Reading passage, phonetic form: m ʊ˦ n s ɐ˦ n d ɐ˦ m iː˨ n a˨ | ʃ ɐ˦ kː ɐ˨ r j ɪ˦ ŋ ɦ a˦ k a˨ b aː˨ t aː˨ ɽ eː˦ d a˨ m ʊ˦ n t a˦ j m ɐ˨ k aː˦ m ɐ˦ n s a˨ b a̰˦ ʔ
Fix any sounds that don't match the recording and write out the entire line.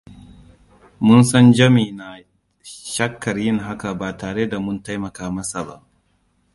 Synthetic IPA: m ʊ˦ n s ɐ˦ n d͡ʒ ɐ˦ m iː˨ n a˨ | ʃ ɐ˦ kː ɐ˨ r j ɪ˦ ŋ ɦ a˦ k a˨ b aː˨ t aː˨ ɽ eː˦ d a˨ m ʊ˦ n t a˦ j m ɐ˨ k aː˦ m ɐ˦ s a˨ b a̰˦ ʔ